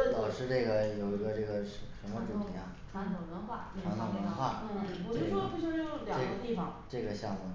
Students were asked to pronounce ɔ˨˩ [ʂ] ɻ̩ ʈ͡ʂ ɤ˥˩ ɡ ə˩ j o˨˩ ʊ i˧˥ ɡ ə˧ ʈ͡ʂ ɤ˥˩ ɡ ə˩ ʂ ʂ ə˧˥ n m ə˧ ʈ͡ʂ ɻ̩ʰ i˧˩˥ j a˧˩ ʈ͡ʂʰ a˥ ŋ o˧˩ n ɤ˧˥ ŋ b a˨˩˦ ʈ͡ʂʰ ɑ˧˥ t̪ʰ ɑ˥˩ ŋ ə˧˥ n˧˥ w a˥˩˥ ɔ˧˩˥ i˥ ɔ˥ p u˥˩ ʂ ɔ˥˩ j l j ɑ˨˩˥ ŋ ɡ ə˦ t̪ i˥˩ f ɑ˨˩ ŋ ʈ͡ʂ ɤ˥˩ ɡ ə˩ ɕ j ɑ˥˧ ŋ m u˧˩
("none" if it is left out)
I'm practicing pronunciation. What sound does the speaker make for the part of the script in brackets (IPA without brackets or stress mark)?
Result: ʂ